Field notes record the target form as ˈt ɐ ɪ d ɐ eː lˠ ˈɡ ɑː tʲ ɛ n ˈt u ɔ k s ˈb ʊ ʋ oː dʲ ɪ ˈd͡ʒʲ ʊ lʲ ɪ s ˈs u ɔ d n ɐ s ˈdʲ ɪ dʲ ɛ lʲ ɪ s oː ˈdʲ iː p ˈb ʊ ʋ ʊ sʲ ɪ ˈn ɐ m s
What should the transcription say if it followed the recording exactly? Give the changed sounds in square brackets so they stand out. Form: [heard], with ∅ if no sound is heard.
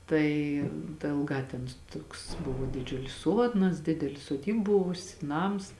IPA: ˈt ɐ ɪ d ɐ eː lˠ ˈɡ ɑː tʲ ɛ n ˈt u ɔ k s ˈb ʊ ʋ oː dʲ ɪ ˈd͡ʒʲ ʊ lʲ ɪ s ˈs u ɔ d n ɐ s ˈdʲ ɪ dʲ ɛ lʲ ɪ s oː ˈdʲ iː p ˈb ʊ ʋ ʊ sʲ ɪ ˈn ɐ m s

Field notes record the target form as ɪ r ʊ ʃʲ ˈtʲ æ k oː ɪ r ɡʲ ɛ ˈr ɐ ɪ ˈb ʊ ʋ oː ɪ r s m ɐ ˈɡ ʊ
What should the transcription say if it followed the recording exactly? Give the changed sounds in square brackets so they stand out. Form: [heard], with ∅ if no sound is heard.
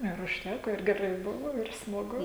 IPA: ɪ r ʊ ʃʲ ˈtʲ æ k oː ɪ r ɡʲ ɛ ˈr ɐ ɪ ˈb ʊ ʋ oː ɪ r s m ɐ ˈɡ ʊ

